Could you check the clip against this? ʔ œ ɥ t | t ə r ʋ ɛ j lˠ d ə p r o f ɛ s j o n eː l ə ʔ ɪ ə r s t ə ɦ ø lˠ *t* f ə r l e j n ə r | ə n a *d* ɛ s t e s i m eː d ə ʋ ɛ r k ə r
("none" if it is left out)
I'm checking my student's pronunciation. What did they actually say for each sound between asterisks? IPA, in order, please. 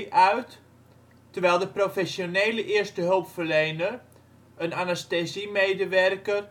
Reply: p, n

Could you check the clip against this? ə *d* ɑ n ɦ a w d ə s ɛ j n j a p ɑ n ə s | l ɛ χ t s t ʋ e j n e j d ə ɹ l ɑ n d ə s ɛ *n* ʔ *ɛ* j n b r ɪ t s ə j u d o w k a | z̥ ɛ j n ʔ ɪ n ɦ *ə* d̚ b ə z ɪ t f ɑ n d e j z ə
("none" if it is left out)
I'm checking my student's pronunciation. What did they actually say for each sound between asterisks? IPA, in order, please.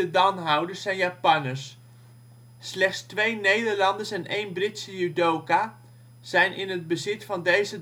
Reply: d, n, e, ə

